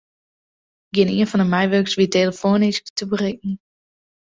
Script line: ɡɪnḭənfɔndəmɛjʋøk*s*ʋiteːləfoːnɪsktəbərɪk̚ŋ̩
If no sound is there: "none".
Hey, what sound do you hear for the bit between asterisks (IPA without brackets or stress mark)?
s